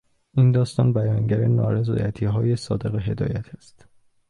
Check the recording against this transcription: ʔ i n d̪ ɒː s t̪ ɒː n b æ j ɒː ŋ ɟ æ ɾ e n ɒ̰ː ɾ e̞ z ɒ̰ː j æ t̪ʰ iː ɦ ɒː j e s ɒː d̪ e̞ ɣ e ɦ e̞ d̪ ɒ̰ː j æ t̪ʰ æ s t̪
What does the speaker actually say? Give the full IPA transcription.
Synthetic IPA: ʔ i n d̪ ɒː s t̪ ɒː n b æ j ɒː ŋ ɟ æ ɾ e n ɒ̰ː ɾ e̞ z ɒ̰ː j æ t̪ʰ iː ɦ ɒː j e s ɒː d̪ e̞ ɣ e ɦ e̞ d̪ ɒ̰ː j æ t̪ʰ æ s t̪